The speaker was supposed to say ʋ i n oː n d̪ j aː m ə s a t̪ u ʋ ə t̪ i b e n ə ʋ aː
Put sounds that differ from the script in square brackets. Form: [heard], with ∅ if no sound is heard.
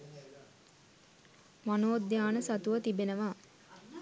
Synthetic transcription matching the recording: ʋ [a] n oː [∅] d̪ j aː [n] ə s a t̪ u ʋ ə t̪ i b e n ə ʋ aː